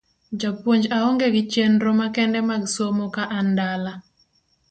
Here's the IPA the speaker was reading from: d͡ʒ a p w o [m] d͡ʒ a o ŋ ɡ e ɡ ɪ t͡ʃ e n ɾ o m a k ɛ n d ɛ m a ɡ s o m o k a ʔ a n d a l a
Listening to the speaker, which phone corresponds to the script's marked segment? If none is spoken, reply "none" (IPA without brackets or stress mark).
ɲ